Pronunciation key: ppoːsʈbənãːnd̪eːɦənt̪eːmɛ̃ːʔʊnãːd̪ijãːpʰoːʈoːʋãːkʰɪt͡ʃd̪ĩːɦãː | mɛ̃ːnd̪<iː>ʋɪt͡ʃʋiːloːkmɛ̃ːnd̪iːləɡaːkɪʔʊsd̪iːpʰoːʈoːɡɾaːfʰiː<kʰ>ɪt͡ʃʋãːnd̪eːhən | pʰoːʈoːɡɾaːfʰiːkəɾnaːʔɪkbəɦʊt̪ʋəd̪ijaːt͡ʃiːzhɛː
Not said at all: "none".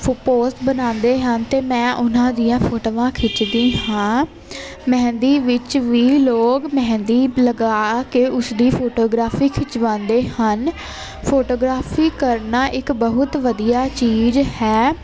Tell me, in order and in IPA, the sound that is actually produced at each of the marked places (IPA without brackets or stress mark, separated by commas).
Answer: iː, kʰ